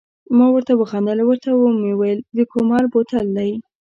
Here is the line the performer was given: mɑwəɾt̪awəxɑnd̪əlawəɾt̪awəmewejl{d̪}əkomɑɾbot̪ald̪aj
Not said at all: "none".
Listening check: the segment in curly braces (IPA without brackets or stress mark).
d̪